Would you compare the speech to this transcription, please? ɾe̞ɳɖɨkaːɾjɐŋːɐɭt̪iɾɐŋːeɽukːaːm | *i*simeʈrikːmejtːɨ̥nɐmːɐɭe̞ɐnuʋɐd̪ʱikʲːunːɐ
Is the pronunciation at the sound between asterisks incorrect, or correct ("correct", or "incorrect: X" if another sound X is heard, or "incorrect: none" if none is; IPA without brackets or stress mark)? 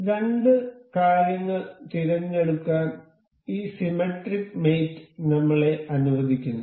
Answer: incorrect: iː